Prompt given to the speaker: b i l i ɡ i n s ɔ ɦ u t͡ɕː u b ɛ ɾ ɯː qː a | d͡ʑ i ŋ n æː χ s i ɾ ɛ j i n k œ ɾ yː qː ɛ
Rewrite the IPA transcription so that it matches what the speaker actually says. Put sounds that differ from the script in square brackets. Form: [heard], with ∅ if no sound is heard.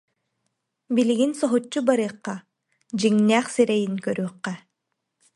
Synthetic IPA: b i l i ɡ i n s ɔ ɦ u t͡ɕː u b [a] ɾ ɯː qː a | d͡ʑ i ŋ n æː χ s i ɾ ɛ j i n k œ ɾ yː qː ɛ